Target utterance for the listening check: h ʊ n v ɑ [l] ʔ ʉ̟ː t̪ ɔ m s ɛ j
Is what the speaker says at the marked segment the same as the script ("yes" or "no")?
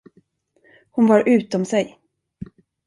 no